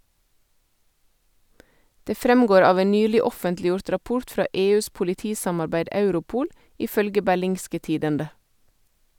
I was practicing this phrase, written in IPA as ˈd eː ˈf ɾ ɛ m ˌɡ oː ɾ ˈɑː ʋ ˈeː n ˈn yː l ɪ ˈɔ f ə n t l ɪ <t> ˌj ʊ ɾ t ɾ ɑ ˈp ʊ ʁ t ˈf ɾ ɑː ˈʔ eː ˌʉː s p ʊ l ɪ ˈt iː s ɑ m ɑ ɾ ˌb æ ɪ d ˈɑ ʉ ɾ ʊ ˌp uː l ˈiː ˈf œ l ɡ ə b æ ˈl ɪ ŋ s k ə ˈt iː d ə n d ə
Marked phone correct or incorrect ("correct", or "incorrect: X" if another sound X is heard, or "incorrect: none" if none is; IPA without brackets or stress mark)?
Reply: incorrect: none